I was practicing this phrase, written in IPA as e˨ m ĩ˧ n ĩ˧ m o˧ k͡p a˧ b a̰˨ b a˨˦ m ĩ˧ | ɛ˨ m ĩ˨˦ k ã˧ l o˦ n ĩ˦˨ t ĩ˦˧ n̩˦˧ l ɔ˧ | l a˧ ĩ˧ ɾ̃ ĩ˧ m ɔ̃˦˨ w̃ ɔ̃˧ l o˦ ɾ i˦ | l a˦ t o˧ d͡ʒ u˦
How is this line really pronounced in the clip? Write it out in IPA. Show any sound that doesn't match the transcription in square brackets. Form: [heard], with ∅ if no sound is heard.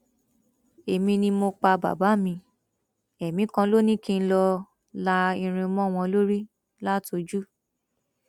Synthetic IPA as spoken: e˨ m ĩ˧ n ĩ˧ m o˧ k͡p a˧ b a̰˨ b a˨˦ m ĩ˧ | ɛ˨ m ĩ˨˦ k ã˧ l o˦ n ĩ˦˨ [k] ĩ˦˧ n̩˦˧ l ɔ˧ | l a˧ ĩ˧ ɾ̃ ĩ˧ m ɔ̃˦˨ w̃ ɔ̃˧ l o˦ ɾ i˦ | l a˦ t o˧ d͡ʒ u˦

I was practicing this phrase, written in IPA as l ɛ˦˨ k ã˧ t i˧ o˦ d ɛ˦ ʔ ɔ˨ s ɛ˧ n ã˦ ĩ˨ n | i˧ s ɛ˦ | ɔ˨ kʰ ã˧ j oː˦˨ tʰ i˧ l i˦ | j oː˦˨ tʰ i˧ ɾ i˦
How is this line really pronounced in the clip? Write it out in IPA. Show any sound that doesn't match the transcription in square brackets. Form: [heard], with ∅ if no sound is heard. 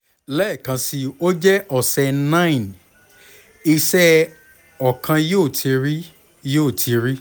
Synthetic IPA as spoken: l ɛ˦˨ k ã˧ [s] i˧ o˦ [d͡ʒ] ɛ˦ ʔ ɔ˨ s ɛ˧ n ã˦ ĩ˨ n | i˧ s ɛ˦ | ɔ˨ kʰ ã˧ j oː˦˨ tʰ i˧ [ɾ] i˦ | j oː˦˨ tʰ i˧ ɾ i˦

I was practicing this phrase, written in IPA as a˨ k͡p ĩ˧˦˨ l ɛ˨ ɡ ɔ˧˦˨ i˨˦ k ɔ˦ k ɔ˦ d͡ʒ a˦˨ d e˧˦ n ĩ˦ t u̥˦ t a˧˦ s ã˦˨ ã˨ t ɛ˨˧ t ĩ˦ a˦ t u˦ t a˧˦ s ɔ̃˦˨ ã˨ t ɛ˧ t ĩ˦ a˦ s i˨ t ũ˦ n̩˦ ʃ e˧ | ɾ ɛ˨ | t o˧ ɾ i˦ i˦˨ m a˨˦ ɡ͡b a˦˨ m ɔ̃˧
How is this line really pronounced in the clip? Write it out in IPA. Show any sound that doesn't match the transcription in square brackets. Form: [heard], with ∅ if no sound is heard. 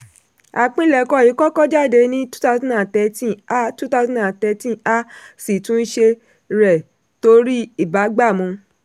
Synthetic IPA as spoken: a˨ k͡p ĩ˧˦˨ l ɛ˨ [k] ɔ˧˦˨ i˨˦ k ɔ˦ k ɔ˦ d͡ʒ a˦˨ d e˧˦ n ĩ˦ t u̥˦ t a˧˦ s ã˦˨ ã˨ t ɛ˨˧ t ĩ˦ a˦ t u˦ t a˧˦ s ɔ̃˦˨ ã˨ t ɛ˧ t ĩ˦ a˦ s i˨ t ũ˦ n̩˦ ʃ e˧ | ɾ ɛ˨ | t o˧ ɾ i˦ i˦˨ [b] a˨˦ ɡ͡b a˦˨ m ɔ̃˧

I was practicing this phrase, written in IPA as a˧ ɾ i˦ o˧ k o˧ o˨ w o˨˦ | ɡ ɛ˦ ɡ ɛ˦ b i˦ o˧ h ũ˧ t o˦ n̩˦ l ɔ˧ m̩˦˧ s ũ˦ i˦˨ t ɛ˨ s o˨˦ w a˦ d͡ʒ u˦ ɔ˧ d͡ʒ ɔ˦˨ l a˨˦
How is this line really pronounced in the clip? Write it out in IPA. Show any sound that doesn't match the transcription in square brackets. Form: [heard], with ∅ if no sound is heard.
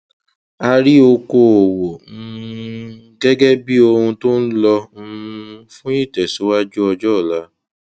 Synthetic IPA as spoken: a˧ ɾ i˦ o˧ k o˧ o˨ w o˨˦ | ɡ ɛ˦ ɡ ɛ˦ b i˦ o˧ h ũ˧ t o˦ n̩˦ l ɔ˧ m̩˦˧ [f] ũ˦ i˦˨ t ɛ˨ s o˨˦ w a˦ d͡ʒ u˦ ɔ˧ d͡ʒ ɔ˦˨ l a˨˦

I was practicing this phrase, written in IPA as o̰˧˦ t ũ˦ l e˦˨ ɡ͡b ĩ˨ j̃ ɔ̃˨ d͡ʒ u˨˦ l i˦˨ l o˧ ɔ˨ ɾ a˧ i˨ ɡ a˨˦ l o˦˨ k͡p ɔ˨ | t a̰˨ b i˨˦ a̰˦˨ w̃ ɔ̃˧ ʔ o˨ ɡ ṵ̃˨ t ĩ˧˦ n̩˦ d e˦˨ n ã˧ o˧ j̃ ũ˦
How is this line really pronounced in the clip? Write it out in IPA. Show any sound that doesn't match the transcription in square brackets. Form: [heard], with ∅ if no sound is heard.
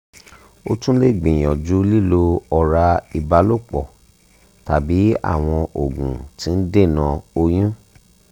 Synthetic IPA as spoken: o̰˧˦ t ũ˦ l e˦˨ ɡ͡b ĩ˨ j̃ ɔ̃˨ d͡ʒ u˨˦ l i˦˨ l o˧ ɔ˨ ɾ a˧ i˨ [b] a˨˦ l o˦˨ k͡p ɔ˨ | t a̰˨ b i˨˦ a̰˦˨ w̃ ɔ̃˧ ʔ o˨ ɡ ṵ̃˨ t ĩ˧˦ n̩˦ d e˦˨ n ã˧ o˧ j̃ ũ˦

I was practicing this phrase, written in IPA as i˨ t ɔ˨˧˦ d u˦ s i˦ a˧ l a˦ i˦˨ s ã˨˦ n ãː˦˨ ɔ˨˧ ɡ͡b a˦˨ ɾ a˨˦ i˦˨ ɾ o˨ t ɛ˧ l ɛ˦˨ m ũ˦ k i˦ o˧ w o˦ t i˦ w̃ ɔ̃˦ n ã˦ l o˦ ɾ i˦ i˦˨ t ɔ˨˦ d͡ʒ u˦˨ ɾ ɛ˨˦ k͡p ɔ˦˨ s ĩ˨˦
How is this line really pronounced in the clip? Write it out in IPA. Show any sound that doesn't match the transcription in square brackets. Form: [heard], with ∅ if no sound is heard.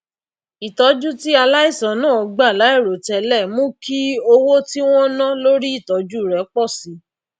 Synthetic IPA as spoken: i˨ t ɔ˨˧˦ [d͡ʒ] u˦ [t] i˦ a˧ l a˦ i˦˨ s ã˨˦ n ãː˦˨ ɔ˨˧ ɡ͡b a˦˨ [l] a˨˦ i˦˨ ɾ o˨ t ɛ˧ l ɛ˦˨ m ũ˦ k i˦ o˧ w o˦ t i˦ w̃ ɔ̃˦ n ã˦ l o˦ ɾ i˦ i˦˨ t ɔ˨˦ d͡ʒ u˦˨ ɾ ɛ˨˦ k͡p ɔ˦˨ s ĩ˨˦

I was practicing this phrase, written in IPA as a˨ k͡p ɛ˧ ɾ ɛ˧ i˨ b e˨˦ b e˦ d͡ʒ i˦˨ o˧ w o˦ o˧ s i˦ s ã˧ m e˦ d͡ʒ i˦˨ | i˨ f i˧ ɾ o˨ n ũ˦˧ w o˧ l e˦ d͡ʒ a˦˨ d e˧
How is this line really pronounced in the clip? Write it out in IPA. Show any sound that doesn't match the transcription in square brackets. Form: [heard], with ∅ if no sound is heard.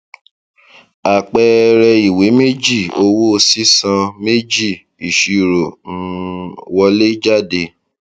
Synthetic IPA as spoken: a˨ k͡p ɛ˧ ɾ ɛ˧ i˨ [w] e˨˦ [m] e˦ d͡ʒ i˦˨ o˧ w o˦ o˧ s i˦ s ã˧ m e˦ d͡ʒ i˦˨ | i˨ [ʃ] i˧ ɾ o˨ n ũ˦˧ w [ɔ˧] l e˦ d͡ʒ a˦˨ d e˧

